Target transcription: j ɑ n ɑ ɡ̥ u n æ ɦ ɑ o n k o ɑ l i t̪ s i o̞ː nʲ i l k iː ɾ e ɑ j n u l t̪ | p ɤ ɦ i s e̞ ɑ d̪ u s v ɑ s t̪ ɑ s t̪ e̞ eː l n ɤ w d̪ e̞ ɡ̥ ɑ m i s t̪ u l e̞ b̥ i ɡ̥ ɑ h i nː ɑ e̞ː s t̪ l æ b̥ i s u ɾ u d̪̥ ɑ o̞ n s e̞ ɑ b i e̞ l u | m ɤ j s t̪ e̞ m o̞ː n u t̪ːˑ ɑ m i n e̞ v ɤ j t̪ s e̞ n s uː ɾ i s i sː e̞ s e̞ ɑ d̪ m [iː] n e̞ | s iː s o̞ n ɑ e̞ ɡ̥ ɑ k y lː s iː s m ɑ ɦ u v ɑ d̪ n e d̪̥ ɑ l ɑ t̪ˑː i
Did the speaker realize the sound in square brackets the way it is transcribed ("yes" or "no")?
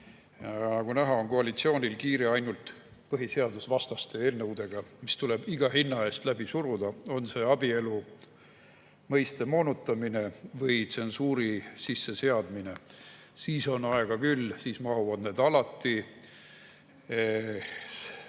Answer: no